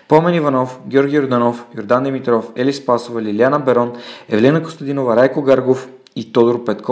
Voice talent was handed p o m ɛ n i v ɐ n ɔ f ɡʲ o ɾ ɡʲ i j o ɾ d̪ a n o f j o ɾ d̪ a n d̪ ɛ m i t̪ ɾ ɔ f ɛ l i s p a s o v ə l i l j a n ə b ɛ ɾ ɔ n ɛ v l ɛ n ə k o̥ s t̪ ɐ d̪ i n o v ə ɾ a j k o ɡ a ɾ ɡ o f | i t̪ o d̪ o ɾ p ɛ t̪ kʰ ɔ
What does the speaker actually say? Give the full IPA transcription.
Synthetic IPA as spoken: p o m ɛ n i v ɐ n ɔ f ɡʲ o ɾ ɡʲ i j o ɾ d̪ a n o f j o ɾ d̪ a n d̪ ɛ m i t̪ ɾ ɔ f ɛ l i s p a s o v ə l i l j a n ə b ɛ ɾ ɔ n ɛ v l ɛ n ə k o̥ s t̪ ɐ d̪ i n o v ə ɾ a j k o ɡ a ɾ ɡ o f | i t̪ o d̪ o ɾ p ɛ t̪ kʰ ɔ